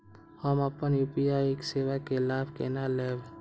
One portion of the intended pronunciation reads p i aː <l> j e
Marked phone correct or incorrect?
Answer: incorrect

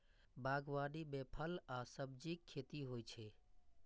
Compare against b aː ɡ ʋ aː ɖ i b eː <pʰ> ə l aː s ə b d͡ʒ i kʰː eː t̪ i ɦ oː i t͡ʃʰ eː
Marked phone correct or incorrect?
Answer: correct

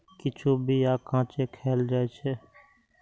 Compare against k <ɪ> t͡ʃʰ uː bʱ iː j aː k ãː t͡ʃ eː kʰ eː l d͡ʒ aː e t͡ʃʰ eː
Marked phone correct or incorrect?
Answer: correct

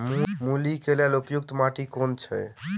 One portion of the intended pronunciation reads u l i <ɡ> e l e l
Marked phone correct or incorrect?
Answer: incorrect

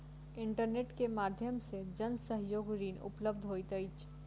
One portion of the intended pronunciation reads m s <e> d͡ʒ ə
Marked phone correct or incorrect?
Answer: correct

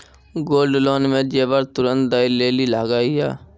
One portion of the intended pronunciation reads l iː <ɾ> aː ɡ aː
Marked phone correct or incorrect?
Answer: incorrect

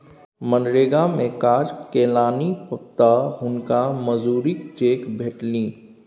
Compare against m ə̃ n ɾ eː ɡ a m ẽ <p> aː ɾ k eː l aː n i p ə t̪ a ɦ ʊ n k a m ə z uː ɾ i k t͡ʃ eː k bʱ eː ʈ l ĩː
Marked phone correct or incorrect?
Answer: incorrect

